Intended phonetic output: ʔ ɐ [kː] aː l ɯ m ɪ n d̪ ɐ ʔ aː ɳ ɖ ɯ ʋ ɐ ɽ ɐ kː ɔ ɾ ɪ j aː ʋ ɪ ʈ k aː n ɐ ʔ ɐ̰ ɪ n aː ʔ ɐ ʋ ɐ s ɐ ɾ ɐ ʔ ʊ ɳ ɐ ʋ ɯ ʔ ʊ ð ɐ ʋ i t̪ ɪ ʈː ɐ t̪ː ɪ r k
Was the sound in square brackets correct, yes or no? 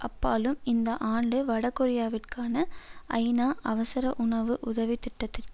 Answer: no